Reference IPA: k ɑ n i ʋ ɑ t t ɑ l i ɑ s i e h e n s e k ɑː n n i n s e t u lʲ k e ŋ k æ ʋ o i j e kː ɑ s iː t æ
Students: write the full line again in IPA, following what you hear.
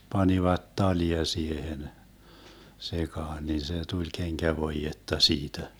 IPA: p ɑ n i ʋ ɑ t t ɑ l i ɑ s i e h e n s e k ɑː n n i n s e t u lʲ k e ŋ k æ ʋ o i j e tː ɑ s iː t æ